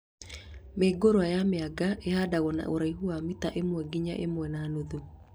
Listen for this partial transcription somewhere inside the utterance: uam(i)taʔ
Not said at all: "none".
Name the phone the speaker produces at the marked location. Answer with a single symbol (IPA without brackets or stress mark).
i